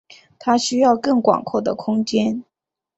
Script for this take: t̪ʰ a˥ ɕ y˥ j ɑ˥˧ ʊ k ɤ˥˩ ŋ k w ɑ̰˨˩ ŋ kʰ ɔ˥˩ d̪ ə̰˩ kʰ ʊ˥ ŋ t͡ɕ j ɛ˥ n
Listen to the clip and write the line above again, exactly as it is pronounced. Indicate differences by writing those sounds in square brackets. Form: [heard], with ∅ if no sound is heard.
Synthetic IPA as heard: t̪ʰ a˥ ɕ y˥ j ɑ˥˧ ʊ k ɤ˥˩ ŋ k w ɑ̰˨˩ ŋ kʰ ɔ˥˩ d̪ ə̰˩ kʰ ʊ˥ ŋ t͡ɕ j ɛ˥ n